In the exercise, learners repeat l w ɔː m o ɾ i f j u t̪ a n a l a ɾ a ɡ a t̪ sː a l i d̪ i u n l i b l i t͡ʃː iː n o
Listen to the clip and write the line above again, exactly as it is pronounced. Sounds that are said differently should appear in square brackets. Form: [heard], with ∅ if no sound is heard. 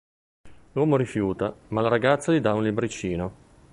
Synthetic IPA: l w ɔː m o ɾ i f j [uː] t̪ a [m] a l a ɾ a ɡ a t̪ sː a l i d̪ [a] u n l i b [ɾ] i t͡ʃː iː n o